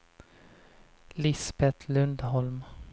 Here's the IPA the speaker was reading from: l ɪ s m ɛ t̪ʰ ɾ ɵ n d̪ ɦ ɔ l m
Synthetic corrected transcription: l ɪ s b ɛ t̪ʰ l ɵ n d̪ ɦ ɔ l m